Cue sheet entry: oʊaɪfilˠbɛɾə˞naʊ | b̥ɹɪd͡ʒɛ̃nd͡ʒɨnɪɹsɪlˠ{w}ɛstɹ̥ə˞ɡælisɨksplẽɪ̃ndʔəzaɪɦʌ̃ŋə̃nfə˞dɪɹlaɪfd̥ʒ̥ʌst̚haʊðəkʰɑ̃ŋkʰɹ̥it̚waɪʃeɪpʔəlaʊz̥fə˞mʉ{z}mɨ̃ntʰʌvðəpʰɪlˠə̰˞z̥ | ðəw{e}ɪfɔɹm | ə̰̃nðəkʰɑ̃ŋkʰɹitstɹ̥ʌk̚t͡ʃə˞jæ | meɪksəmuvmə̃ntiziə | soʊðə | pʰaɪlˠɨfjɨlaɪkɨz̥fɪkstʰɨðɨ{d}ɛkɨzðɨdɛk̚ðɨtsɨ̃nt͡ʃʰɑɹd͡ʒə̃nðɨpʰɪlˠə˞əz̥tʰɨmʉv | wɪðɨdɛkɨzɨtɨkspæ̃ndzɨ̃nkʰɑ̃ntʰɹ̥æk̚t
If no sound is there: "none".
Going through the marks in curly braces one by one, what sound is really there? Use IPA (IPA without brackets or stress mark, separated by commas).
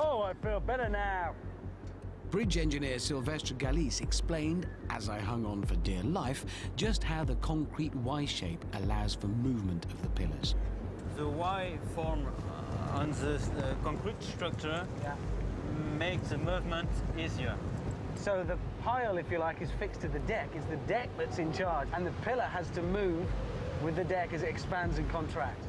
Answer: v, v, a, d